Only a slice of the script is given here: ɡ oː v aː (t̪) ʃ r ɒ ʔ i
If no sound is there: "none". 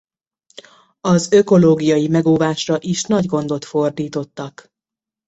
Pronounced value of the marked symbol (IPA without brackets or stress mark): none